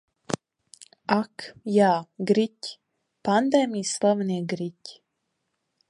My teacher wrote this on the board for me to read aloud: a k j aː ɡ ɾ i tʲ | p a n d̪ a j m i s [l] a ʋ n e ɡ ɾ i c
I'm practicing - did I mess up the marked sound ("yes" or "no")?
no